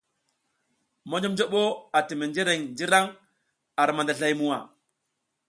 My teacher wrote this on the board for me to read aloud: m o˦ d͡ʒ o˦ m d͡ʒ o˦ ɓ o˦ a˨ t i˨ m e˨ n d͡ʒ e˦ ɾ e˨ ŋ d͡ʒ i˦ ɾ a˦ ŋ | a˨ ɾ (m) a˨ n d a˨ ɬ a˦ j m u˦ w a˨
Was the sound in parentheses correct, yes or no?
yes